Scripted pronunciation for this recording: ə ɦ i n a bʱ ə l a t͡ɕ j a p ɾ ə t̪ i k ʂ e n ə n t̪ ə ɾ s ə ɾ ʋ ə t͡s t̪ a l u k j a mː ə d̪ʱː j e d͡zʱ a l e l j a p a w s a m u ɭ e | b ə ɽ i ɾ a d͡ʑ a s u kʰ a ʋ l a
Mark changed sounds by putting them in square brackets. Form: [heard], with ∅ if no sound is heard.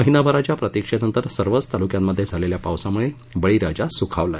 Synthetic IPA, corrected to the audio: ə ɦ i n a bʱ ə [ɾ] a t͡ɕ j a p ɾ ə t̪ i k ʂ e n ə n t̪ ə ɾ s ə ɾ ʋ ə t͡s t̪ a l u k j a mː ə d̪ʱː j e d͡zʱ a l e l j a p a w s a m u ɭ e | b ə [ɭ] i ɾ a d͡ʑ a s u kʰ a ʋ l a